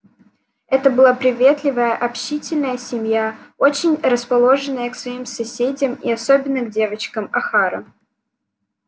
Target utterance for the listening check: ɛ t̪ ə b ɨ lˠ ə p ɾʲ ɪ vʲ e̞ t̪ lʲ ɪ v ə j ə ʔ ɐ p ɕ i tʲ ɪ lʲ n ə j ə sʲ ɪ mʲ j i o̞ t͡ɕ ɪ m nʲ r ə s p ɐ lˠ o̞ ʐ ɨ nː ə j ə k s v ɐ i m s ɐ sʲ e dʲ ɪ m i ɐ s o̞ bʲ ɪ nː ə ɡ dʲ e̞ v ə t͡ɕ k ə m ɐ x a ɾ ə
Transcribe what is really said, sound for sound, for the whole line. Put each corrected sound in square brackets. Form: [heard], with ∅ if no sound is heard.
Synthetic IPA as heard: ɛ t̪ ə b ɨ lˠ [a] p ɾʲ ɪ vʲ e̞ t̪ lʲ ɪ v ə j ə ʔ ɐ p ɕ i tʲ ɪ lʲ n ə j ə sʲ ɪ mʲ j [a] o̞ t͡ɕ ɪ [∅] nʲ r ə s p ɐ lˠ o̞ ʐ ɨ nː ə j ə k s v ɐ i m s ɐ sʲ e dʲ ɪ m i ɐ s o̞ bʲ ɪ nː ə ɡ dʲ e̞ v ə t͡ɕ k ə m ɐ x a ɾ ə